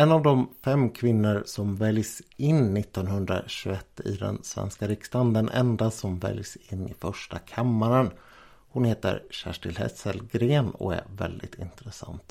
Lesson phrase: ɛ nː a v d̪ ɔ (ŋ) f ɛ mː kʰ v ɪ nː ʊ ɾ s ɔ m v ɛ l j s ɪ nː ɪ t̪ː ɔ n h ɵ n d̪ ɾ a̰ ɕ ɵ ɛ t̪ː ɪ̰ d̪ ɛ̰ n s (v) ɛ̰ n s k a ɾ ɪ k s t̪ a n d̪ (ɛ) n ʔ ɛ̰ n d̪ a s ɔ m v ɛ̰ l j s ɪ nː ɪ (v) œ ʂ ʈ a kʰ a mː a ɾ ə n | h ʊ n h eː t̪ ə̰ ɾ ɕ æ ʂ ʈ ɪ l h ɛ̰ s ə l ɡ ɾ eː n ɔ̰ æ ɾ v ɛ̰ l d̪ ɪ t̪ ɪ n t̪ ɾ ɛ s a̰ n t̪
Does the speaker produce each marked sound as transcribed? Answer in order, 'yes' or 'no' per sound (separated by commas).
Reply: no, yes, yes, no